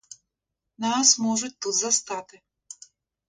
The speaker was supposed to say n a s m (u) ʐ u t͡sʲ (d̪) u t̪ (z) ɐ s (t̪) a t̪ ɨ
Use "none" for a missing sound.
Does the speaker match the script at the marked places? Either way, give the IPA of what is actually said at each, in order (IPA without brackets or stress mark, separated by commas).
ɔ, t̪, z, t̪